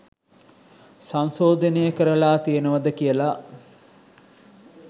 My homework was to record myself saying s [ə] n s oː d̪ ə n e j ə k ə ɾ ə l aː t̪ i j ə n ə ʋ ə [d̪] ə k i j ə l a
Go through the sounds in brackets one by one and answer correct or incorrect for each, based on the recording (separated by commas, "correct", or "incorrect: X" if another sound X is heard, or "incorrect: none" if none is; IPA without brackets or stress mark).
incorrect: a, correct